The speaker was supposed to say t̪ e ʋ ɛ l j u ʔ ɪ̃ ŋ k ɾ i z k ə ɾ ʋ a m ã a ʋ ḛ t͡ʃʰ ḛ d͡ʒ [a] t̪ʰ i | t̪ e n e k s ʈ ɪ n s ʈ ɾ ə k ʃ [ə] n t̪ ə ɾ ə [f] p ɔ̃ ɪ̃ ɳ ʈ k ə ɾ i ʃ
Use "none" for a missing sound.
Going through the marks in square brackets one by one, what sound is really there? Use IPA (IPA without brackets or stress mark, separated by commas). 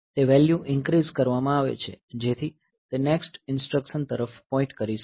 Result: e, ə, f